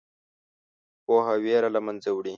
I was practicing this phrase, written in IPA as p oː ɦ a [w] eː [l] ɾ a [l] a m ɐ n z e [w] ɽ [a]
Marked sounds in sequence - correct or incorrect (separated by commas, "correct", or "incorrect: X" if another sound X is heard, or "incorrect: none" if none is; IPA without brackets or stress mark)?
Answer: correct, incorrect: none, correct, correct, incorrect: i